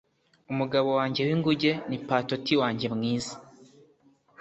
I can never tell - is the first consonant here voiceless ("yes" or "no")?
no